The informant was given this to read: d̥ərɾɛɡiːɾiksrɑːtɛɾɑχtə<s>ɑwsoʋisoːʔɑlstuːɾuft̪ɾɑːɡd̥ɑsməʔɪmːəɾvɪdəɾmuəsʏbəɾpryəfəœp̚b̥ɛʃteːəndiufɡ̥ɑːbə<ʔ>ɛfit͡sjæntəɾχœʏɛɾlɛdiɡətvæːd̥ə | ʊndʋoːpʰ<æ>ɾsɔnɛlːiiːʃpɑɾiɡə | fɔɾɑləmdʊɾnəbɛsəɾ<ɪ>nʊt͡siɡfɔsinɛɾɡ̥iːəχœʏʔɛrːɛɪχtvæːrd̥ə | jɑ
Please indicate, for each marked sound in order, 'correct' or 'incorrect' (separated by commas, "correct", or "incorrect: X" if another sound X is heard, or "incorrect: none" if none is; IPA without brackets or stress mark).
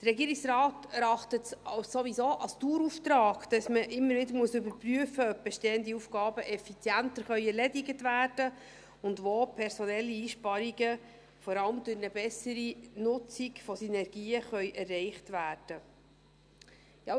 incorrect: t, correct, incorrect: ɛ, incorrect: i